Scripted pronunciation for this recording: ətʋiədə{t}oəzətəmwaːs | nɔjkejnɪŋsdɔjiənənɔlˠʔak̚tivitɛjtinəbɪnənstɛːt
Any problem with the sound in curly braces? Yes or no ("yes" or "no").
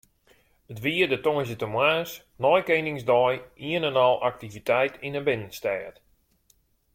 no